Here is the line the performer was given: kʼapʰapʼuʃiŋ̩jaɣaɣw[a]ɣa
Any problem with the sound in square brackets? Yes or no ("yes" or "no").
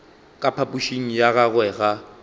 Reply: yes